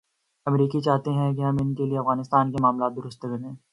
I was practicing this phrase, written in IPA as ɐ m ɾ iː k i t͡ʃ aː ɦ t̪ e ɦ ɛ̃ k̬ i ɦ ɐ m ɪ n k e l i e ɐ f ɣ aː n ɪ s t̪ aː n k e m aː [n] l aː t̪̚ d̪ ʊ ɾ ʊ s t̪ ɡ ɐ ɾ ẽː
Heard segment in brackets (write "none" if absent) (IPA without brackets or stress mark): m